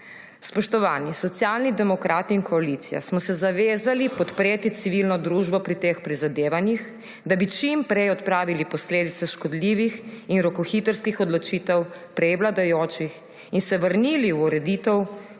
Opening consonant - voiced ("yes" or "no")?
no